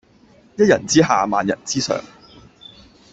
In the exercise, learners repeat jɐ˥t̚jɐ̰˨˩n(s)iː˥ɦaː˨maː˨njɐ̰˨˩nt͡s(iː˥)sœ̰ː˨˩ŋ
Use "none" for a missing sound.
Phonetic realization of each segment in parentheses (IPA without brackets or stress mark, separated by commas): t͡s, iː˥